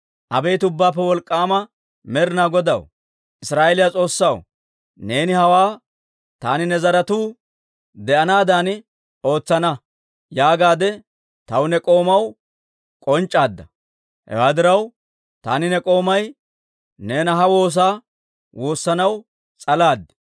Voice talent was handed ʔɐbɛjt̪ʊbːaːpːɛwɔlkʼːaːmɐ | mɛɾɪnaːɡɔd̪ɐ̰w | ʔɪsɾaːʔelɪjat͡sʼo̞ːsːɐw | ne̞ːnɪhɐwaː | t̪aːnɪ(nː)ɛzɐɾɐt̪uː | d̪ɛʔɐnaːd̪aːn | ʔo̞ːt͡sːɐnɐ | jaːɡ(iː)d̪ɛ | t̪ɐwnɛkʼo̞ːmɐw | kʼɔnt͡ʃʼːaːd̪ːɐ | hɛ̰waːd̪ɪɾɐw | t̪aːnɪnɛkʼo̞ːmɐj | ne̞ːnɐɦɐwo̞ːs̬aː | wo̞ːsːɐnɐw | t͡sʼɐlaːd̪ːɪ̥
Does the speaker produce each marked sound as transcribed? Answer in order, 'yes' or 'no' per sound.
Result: no, no

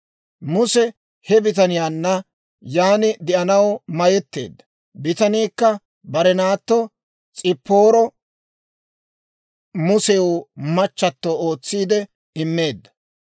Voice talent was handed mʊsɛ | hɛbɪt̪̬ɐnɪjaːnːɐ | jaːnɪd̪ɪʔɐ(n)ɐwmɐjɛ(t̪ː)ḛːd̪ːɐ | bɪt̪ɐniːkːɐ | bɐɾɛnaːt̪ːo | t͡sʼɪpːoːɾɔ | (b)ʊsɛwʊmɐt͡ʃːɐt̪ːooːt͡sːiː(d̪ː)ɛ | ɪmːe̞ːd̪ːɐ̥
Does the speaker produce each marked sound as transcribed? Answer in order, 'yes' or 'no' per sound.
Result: yes, yes, no, no

